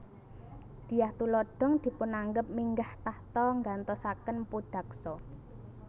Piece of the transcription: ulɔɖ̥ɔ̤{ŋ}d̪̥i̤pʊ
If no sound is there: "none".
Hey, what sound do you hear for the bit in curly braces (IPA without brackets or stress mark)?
ŋ